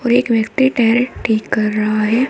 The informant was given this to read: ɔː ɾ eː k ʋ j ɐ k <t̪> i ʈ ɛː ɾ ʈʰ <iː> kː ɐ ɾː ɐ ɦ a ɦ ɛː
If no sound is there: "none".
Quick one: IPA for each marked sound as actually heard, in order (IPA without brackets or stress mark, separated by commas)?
t̪, iː